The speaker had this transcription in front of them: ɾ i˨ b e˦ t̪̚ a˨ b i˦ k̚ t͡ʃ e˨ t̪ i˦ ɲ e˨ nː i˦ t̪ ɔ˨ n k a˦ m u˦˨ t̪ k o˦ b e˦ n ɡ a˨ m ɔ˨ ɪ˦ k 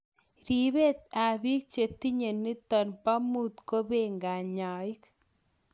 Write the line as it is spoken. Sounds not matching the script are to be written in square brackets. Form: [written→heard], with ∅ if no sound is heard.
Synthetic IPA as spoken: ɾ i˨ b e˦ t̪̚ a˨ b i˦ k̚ t͡ʃ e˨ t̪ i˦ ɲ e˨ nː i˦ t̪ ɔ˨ n [k→p] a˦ m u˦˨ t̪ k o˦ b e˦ [n→ŋ] ɡ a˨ [m→ɲ] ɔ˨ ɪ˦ k